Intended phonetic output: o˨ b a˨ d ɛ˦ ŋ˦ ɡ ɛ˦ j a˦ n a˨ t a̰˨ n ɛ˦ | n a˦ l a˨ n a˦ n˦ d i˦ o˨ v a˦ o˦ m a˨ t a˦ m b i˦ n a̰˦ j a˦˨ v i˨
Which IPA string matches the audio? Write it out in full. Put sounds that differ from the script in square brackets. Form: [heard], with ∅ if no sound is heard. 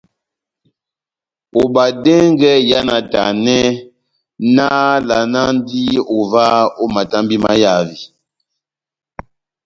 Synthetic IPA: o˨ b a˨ d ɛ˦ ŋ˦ ɡ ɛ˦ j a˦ n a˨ t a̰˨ n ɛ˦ | n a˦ l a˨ n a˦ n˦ d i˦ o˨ v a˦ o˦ m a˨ t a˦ m b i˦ [m] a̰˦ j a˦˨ v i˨